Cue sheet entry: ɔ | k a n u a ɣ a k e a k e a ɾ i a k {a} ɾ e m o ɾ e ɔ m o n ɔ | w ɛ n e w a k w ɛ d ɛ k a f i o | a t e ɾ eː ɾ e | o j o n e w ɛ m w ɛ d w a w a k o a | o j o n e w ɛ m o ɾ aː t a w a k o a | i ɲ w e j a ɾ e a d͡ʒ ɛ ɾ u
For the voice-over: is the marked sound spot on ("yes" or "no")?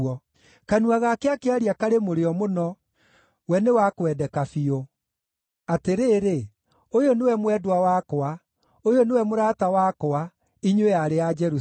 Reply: yes